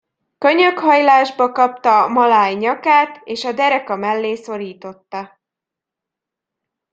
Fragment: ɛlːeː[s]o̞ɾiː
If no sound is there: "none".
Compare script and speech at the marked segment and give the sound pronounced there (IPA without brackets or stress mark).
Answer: s